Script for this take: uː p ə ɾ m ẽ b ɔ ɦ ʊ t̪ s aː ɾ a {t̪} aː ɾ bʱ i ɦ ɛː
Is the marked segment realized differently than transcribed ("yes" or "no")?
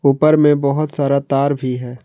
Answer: no